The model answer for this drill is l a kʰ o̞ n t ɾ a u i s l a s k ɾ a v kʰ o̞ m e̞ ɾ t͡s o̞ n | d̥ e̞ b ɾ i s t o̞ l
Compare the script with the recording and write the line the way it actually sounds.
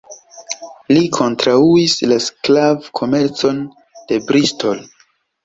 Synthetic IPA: l i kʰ o̞ n t ɾ a u i s l a s k l a v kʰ o̞ m e̞ ɾ t͡s o̞ n | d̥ e̞ b ɾ i s t o̞ l